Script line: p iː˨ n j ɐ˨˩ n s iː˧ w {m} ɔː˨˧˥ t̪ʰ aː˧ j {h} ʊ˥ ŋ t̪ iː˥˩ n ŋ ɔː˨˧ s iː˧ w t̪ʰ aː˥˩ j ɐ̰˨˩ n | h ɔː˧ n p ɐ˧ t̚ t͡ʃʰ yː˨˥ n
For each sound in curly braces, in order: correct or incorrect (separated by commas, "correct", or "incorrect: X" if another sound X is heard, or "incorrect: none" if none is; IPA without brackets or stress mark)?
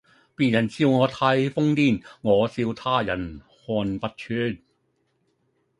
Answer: incorrect: ŋ, incorrect: f